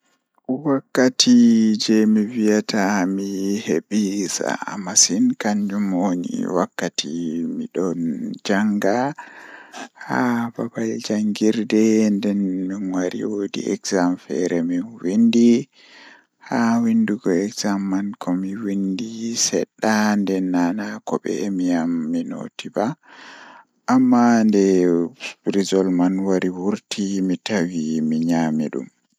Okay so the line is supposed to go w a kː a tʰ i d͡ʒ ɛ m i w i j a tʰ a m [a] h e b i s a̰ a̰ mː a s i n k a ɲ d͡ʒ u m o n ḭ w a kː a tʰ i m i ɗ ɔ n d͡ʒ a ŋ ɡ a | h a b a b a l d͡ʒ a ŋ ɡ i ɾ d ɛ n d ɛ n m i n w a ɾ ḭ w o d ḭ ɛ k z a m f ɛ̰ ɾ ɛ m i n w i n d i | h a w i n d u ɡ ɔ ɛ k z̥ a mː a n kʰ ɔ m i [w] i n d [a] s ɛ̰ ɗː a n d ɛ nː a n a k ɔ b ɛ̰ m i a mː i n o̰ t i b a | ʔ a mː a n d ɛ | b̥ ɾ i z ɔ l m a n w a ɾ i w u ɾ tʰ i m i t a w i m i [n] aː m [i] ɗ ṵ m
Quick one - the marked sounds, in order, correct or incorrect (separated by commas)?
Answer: incorrect, correct, incorrect, incorrect, correct